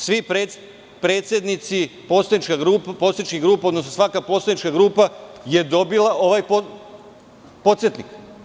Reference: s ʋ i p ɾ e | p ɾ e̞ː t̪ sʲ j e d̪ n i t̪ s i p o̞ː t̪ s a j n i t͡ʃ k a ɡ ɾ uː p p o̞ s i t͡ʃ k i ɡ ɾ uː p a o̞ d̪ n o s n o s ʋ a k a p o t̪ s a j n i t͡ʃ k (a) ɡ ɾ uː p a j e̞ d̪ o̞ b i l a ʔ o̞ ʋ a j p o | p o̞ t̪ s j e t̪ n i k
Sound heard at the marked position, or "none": a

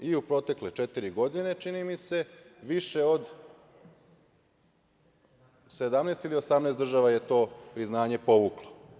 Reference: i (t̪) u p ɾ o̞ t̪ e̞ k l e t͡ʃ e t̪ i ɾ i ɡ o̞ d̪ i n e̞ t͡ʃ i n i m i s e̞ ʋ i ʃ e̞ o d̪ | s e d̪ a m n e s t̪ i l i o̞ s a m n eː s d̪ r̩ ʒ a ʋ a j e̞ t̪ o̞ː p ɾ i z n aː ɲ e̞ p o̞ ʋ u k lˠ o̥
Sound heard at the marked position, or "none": none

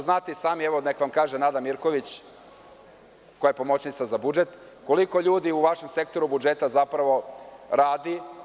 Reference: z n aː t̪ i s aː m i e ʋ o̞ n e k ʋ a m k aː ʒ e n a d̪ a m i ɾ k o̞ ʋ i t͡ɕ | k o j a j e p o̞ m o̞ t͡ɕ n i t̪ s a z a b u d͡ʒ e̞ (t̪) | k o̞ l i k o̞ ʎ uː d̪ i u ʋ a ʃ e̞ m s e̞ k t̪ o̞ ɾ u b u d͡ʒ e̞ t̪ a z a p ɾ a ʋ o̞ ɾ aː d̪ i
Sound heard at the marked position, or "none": t̪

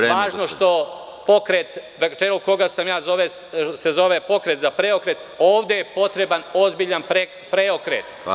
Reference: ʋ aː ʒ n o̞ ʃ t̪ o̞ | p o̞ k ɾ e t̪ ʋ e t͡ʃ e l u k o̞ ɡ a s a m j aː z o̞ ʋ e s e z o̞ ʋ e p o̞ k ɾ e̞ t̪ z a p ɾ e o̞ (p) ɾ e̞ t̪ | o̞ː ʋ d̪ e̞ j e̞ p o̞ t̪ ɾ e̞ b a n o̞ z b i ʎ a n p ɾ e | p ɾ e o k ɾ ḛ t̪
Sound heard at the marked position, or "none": k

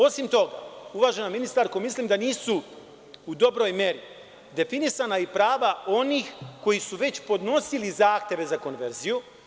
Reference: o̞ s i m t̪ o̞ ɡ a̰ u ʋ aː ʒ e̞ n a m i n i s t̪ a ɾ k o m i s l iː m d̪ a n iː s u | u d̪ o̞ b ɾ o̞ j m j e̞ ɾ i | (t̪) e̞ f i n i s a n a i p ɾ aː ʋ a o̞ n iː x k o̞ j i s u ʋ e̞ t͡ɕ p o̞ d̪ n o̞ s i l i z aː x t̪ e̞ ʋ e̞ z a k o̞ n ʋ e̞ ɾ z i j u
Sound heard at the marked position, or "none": d̪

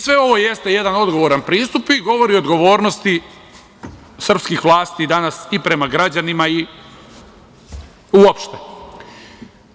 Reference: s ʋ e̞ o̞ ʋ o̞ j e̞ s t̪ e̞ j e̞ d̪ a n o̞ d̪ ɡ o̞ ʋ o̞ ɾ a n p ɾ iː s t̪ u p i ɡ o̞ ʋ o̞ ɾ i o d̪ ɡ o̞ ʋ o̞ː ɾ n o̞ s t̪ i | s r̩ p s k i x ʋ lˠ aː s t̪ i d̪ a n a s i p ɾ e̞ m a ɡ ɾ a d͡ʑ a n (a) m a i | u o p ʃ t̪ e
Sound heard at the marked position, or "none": i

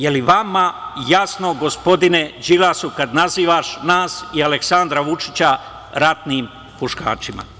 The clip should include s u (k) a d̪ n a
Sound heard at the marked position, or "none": k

